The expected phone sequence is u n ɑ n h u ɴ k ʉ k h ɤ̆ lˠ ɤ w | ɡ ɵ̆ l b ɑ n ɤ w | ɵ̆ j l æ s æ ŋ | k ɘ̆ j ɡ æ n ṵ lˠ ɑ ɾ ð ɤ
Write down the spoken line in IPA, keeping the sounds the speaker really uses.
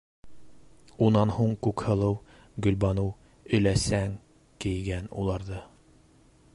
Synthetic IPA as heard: u n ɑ n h u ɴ k ʉ k h ɤ̆ lˠ ɤ w | ɡ ɵ̆ l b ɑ n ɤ w | ɵ̆ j l æ s æ ŋ | k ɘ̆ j ɡ æ n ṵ lˠ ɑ ɾ ð ɤ